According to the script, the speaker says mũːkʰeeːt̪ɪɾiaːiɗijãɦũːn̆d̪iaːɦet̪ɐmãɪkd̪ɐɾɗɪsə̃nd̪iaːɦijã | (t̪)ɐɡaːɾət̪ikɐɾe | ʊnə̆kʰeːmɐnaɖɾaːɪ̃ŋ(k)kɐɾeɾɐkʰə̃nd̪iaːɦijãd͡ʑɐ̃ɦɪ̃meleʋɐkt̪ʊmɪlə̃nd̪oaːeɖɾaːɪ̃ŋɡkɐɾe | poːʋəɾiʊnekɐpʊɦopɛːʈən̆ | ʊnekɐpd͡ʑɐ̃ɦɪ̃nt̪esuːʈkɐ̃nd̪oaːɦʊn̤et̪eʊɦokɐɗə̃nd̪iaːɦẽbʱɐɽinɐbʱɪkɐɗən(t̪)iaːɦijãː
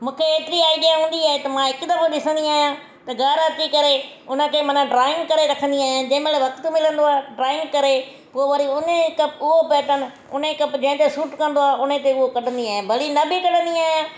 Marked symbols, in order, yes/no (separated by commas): yes, no, no